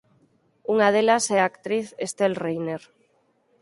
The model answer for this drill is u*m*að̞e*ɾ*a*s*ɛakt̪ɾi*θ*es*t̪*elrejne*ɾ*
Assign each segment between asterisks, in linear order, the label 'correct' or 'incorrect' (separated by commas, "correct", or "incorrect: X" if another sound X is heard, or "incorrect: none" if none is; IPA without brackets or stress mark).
incorrect: ŋ, incorrect: l, correct, correct, correct, correct